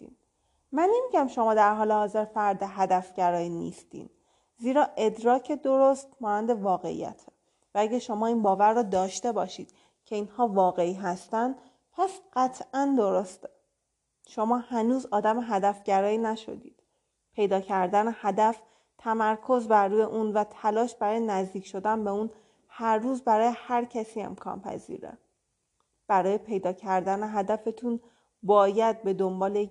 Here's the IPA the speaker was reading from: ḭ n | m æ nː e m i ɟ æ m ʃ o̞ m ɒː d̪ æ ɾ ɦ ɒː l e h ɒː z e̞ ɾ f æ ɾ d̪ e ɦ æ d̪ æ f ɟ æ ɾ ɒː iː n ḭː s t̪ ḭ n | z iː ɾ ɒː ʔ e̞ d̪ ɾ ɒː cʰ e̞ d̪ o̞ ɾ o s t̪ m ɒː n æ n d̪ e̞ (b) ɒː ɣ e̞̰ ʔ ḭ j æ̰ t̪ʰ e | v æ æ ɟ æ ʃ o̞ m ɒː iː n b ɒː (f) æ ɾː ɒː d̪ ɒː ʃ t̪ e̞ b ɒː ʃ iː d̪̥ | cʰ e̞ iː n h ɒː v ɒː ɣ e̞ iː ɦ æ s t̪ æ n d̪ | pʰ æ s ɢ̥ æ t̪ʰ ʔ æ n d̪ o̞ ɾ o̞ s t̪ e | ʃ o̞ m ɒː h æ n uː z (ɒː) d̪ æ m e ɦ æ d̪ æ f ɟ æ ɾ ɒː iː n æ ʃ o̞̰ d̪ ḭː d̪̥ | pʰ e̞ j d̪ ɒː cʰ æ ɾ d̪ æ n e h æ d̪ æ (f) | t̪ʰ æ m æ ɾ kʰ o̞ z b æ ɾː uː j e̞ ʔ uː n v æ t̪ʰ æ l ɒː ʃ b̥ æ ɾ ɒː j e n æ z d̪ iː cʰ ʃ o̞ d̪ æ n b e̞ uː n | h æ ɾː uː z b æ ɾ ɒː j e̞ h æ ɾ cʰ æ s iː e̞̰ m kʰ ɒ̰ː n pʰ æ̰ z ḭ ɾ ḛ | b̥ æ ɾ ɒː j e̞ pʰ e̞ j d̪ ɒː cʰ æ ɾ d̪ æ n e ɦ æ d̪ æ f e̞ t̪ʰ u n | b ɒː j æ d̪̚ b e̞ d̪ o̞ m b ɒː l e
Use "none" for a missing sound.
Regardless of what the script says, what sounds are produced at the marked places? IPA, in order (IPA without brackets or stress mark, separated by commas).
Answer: v, v, ɒː, f